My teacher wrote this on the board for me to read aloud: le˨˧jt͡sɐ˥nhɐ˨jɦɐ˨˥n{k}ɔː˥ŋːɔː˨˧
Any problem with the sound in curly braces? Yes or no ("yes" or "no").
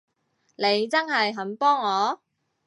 yes